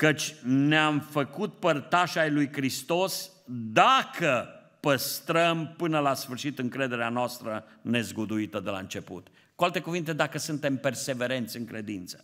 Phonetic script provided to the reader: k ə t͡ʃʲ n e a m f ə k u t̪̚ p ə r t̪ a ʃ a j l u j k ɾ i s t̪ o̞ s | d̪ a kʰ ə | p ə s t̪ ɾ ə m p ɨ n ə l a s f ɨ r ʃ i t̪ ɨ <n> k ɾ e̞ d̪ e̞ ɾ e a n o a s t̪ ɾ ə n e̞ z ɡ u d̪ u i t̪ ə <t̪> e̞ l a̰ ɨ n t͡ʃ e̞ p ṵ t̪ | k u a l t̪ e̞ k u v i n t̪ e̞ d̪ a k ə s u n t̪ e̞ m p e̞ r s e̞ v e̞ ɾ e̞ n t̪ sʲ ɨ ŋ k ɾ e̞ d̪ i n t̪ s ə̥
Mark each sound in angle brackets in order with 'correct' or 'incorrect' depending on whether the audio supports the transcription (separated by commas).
incorrect, incorrect